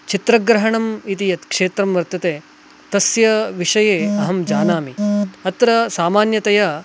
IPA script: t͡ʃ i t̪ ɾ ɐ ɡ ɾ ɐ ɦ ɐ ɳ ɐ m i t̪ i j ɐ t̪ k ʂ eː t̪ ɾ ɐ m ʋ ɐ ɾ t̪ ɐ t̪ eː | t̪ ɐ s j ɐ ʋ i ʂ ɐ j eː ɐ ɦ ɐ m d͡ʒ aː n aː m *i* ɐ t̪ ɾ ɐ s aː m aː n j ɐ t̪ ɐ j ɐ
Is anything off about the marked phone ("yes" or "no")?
no